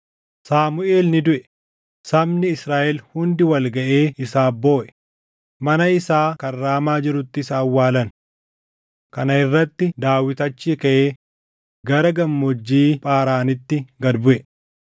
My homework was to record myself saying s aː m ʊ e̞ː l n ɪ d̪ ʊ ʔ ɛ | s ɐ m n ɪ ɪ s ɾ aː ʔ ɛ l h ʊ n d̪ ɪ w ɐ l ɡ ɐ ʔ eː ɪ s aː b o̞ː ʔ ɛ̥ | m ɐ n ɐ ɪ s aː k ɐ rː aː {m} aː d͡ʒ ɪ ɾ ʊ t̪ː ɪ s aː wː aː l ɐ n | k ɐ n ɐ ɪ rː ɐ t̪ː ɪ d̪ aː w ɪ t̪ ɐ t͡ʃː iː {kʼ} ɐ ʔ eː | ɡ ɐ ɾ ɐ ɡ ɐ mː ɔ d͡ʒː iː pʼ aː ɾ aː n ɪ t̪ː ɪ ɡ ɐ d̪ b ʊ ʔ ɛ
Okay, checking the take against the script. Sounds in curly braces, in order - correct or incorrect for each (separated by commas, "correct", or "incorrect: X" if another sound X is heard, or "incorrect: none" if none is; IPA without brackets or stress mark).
correct, incorrect: k